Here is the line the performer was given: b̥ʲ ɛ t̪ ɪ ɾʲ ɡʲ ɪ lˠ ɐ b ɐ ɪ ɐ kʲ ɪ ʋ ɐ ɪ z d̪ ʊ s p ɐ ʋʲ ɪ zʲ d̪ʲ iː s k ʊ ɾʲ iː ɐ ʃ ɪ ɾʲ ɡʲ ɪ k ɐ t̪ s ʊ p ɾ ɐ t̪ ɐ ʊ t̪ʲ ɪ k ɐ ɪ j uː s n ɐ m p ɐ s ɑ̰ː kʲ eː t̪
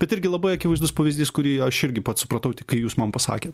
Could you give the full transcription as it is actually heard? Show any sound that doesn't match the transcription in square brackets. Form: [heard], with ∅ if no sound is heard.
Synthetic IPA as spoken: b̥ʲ ɛ t̪ ɪ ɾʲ ɡʲ ɪ lˠ ɐ b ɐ ɪ ɐ kʲ ɪ ʋ ɐ ɪ z d̪ ʊ s p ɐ ʋʲ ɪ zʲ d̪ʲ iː s k ʊ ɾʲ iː ɐ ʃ ɪ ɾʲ ɡʲ ɪ [p] ɐ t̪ s ʊ p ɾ ɐ t̪ ɐ ʊ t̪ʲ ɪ k ɐ ɪ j uː s [m] ɐ m p ɐ s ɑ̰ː kʲ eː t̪